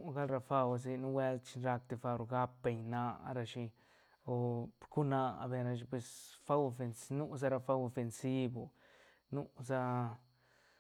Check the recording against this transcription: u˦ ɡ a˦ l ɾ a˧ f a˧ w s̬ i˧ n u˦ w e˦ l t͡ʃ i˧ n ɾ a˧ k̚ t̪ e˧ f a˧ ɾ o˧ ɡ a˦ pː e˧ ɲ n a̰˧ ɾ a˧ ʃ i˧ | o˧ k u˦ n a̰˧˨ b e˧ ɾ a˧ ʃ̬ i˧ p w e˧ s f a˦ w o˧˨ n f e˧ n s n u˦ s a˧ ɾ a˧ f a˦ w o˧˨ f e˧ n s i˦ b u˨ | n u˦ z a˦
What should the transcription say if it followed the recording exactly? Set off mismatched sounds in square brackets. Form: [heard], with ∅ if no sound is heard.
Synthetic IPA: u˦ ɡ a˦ l ɾ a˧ f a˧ w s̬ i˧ n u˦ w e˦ l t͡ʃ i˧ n ɾ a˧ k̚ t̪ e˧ f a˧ ɾ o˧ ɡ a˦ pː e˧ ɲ n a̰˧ ɾ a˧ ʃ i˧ | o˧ k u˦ n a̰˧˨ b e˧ ɾ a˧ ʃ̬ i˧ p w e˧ s f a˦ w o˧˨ [∅] f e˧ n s n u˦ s a˧ ɾ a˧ f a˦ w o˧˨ f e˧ n s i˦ b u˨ | n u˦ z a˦